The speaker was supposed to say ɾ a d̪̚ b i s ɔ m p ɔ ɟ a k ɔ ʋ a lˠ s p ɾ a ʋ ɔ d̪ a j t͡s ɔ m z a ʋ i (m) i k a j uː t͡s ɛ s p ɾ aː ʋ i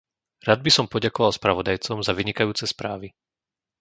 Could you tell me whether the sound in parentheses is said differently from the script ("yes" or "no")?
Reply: yes